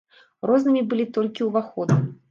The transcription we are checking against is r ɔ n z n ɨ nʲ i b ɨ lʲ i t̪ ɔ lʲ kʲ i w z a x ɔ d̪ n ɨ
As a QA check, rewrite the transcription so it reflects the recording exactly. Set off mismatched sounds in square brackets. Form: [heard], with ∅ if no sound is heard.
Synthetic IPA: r ɔ [∅] z n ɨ [mʲ] i b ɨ lʲ i t̪ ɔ lʲ kʲ i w [v] a x ɔ d̪ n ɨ